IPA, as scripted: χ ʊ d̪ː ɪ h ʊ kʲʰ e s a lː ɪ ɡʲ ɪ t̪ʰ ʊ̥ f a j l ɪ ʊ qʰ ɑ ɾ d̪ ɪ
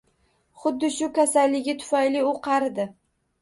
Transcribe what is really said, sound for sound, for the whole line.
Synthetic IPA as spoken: χ ʊ d̪ː ɪ ʃ ʊ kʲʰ a s a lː ɪ ɡʲ ɪ t̪ʰ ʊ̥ f a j l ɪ ʊ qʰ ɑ ɾ d̪ ɪ